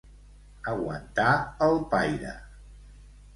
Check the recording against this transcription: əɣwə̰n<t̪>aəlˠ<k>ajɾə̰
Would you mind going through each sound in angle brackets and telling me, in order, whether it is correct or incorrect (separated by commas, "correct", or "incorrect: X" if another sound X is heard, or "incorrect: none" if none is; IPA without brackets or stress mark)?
correct, incorrect: p